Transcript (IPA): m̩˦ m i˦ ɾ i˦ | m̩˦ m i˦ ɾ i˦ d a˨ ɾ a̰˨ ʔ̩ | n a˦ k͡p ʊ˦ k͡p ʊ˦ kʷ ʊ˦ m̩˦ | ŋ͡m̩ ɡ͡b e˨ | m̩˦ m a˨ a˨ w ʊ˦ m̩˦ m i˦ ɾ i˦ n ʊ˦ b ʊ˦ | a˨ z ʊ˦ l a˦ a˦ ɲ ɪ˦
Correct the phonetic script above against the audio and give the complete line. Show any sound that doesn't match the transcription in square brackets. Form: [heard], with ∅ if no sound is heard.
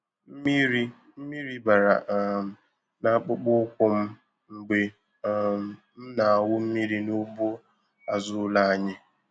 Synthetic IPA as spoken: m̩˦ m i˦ ɾ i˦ | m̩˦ m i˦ ɾ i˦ [b] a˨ ɾ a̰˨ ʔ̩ | n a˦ k͡p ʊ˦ k͡p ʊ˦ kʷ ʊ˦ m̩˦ | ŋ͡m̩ ɡ͡b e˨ | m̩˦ [n] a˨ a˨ w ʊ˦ m̩˦ m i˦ ɾ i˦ n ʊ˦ b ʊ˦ | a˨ z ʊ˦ l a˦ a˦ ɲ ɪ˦